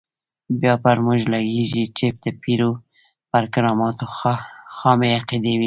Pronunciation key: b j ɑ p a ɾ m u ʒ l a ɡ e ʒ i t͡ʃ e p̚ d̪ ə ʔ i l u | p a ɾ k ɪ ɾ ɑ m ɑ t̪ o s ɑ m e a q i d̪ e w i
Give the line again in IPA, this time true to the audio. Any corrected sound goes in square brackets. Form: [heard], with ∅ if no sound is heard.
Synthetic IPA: b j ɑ p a ɾ m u ʒ l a ɡ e ʒ i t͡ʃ e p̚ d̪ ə [p] i [ɾ] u | p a ɾ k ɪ ɾ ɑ m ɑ t̪ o [x] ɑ m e a q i d̪ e w i